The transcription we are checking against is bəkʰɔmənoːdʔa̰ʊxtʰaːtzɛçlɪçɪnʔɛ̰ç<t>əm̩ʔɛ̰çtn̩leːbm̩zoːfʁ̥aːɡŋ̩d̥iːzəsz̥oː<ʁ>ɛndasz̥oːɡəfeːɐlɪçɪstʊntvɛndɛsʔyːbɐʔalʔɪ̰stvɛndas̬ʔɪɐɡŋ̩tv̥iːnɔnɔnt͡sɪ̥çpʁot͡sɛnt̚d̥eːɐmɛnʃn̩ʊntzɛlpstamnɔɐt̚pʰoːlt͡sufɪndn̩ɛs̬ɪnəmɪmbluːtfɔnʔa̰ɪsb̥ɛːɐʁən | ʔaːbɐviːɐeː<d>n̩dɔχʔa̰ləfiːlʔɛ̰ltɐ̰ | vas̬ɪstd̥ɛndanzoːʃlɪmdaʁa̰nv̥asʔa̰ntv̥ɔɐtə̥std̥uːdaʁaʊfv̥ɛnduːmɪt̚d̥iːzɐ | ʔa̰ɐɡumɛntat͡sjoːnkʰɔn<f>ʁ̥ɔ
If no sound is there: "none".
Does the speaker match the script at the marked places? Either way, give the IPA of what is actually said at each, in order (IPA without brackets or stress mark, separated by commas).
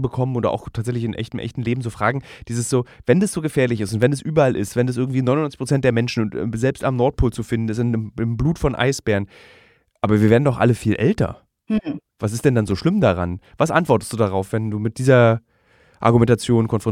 t, v, d, f